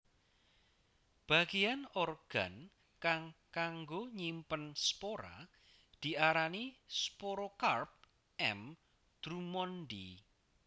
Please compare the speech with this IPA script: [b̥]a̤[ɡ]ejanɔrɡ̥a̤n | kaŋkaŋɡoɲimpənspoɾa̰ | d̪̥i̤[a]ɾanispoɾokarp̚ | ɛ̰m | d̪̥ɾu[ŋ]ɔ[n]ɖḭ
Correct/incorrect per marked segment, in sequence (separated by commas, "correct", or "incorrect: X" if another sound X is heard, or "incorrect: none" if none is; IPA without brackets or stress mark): correct, correct, correct, incorrect: m, correct